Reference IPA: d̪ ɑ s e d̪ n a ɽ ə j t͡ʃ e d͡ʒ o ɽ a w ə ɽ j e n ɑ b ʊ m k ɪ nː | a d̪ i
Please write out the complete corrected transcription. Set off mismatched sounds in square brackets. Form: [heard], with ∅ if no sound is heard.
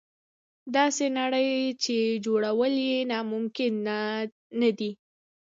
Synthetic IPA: d̪ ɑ s e [∅] n a ɽ ə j t͡ʃ e d͡ʒ o ɽ a w ə [l] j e n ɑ [m] ʊ m k ɪ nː | a d̪ i